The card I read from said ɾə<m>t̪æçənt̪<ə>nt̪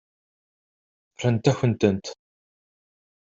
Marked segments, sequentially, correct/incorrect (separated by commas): incorrect, correct